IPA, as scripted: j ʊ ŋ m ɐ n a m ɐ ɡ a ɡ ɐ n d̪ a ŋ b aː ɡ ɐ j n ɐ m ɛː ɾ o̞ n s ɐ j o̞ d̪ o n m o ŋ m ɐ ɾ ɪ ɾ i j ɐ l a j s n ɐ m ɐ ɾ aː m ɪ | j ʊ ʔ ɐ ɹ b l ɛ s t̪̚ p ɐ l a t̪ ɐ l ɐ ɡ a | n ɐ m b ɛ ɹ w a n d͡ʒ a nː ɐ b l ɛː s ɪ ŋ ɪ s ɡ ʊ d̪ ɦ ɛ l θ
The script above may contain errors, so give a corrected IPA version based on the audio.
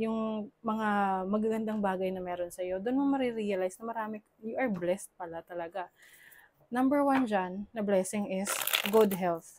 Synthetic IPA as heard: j ʊ ŋ m ɐ ŋ a m ɐ ɡ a ɡ ɐ n d̪ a ŋ b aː ɡ ɐ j n ɐ m ɛː ɾ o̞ n s ɐ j o̞ d̪ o n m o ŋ m ɐ ɾ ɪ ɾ i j ɐ l a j s n ɐ m ɐ ɾ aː m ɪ | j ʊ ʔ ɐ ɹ b l ɛ s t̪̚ p ɐ l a t̪ ɐ l ɐ ɡ a | n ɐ m b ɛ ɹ w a n d͡ʒ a nː ɐ b l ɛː s ɪ ŋ ɪ s ɡ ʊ d̪ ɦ ɛ l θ

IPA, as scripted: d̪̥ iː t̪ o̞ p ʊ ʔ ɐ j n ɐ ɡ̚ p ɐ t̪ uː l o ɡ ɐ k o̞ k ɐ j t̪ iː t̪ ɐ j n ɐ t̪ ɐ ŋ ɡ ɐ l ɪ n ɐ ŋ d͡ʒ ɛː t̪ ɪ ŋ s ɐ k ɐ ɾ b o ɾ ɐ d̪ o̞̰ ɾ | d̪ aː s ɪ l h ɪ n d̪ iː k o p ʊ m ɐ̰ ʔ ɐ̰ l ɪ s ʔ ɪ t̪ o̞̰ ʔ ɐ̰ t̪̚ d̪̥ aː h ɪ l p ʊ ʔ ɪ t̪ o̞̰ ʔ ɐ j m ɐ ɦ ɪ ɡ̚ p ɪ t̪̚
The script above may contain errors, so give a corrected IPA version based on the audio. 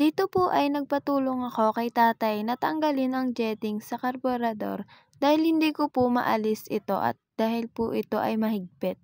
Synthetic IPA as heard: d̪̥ iː t̪ o̞ p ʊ ʔ ɐ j n ɐ ɡ̚ p ɐ t̪ uː l o ŋ ɐ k o̞ k ɐ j t̪ aː t̪ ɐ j n ɐ t̪ ɐ ŋ ɡ ɐ l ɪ n ɐ ŋ d͡ʒ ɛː t̪ ɪ ŋ s ɐ k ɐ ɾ b o ɾ ɐ d̪ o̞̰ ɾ | d̪ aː h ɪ l h ɪ n d̪ iː k o p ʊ m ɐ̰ ʔ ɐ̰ l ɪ s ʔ ɪ t̪ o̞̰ ʔ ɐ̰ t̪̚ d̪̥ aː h ɪ l p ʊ ʔ ɪ t̪ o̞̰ ʔ ɐ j m ɐ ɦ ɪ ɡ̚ p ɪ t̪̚

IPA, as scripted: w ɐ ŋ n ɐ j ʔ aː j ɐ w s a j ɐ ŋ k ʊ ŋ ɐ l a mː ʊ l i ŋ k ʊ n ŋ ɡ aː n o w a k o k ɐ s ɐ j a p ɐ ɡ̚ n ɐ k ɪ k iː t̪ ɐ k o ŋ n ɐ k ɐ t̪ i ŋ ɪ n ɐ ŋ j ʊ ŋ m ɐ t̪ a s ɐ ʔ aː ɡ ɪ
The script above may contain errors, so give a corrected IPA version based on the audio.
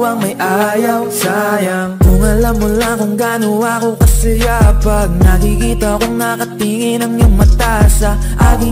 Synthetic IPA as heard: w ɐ ŋ m ɐ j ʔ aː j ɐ w s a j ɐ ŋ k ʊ ŋ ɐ l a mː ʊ l a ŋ k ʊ ŋ ɡ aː n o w a k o k ɐ s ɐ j a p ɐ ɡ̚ n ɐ k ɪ k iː t̪ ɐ k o ŋ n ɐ k ɐ t̪ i ŋ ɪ n ɐ ŋ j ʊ ŋ m ɐ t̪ a s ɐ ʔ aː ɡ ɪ

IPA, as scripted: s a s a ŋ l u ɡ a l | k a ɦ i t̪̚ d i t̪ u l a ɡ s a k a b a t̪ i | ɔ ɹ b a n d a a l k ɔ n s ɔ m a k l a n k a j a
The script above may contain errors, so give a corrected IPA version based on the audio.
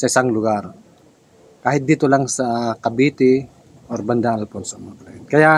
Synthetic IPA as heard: s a s a ŋ l u ɡ a r | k a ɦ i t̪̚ d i t̪ u l a ŋ s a k a b i t̪ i | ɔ r b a n d a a l p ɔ n s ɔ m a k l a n k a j a

